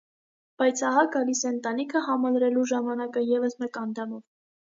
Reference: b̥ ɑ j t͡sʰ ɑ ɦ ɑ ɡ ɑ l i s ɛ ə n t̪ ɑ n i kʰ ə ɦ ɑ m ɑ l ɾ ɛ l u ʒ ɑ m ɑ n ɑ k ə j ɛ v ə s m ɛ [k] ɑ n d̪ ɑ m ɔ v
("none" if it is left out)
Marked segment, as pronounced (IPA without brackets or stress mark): k